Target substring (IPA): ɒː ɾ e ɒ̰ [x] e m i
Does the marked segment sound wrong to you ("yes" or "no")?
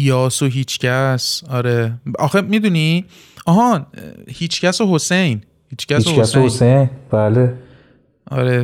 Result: no